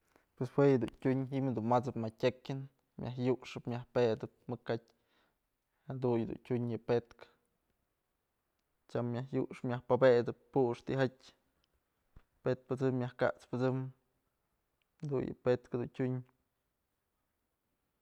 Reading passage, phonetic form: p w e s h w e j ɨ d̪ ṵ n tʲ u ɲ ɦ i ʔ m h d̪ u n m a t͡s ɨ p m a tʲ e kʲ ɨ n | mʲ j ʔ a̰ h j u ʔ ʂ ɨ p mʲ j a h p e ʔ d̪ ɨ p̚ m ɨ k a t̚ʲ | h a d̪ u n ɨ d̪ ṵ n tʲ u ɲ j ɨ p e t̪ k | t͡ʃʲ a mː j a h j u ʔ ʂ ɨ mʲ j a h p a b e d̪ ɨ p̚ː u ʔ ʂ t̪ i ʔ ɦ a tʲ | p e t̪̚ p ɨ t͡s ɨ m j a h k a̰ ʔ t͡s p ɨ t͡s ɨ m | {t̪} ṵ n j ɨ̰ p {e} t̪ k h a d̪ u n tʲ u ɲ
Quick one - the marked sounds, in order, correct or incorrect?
incorrect, correct

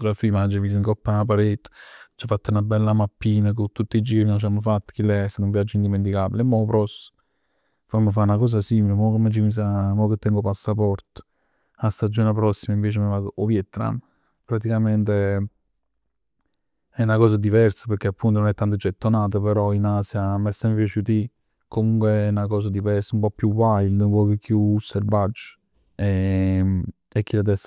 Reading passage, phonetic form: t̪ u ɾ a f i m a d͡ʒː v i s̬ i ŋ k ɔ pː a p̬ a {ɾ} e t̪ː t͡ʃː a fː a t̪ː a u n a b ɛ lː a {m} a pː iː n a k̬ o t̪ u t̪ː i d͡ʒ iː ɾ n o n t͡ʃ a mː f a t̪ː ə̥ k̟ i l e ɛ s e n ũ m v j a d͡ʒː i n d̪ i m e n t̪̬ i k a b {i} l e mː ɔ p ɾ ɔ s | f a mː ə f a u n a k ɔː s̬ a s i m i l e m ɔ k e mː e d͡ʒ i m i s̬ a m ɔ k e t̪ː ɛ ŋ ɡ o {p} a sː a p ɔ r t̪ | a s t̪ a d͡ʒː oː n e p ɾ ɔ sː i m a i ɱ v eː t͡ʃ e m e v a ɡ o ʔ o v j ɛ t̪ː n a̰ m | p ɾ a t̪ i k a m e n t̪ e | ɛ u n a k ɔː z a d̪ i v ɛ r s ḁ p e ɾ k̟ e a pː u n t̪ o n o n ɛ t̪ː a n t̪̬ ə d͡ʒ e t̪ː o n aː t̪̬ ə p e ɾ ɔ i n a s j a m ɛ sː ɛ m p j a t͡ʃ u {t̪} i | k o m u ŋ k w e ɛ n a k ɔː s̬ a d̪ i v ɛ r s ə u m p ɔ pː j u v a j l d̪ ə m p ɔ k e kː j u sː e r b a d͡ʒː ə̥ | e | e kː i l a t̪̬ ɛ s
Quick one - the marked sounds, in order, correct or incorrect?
correct, correct, correct, correct, correct

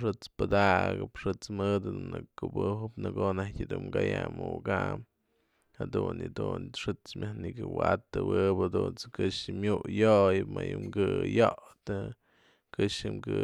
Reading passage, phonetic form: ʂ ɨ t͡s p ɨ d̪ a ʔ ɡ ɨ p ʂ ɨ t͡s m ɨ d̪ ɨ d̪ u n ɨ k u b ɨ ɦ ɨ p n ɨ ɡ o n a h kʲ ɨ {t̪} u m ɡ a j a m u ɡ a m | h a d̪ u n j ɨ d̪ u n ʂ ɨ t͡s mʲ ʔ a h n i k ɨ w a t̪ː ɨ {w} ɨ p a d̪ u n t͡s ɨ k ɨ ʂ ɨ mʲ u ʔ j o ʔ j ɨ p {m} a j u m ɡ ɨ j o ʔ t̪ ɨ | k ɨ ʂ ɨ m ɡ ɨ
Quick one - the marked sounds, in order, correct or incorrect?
incorrect, correct, correct

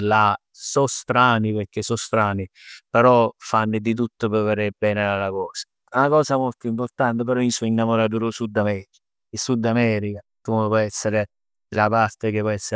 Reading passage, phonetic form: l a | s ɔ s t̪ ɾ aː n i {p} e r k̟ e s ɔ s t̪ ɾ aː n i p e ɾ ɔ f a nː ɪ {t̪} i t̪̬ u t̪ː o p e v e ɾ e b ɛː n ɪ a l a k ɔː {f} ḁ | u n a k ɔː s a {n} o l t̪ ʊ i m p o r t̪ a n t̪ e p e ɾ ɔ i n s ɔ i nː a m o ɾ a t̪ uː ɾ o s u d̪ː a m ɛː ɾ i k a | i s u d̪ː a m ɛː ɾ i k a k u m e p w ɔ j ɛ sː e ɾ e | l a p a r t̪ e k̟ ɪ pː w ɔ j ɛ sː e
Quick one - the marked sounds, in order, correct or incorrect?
correct, incorrect, incorrect, incorrect

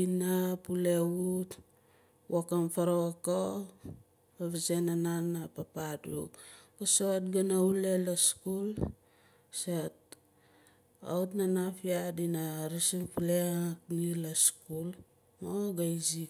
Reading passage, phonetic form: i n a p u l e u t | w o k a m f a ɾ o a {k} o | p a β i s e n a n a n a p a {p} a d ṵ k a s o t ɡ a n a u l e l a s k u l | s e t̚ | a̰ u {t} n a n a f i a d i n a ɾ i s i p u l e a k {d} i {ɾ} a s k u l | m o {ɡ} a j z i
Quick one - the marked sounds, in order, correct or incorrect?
correct, correct, correct, incorrect, incorrect, correct

